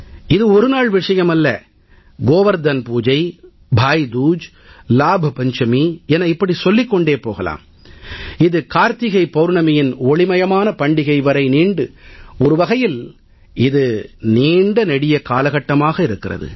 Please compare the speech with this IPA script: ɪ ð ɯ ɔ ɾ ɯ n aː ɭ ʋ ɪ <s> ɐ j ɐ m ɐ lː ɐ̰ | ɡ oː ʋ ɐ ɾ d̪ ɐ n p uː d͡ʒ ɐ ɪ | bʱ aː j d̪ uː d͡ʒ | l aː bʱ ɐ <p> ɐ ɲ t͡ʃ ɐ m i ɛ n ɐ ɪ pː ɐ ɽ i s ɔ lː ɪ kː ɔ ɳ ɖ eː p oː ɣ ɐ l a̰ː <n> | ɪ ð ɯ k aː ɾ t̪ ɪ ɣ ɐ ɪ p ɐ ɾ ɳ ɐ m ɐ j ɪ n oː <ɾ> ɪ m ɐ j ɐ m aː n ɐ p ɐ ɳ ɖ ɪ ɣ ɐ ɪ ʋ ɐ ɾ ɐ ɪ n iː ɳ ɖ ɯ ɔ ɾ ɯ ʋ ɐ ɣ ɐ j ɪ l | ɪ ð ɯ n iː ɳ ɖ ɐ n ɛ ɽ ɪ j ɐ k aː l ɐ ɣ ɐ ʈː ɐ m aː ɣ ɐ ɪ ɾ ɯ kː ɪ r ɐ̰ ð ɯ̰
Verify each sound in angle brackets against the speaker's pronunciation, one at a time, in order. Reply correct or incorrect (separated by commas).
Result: incorrect, correct, incorrect, incorrect